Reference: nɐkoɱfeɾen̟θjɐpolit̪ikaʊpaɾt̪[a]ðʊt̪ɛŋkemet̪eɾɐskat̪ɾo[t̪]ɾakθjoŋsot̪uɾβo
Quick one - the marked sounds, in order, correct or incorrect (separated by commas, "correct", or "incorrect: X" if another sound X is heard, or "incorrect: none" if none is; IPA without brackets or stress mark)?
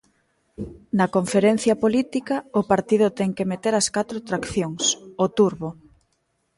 incorrect: i, correct